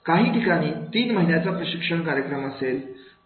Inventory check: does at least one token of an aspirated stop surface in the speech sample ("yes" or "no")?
no